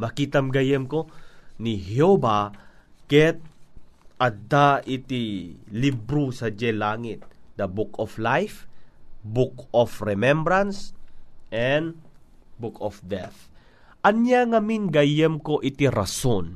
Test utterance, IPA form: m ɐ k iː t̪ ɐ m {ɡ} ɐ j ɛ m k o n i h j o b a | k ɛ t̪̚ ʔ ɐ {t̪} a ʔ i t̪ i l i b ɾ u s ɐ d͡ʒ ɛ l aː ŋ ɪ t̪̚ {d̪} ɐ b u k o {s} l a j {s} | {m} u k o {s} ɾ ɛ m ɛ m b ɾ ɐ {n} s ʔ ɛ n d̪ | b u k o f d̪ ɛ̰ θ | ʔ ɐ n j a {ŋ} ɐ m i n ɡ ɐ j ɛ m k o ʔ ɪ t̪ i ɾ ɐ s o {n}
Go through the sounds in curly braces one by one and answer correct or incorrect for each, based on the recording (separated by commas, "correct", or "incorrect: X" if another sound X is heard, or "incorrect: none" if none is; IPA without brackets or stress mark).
correct, incorrect: d̪, correct, incorrect: f, incorrect: f, incorrect: b, incorrect: f, correct, correct, correct